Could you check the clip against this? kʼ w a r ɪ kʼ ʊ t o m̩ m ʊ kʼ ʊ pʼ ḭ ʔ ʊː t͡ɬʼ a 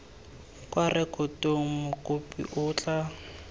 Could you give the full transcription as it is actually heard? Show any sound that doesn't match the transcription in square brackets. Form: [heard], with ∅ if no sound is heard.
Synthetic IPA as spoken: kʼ w a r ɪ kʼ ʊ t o [ŋ̩] m ʊ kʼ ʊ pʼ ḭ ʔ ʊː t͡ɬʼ a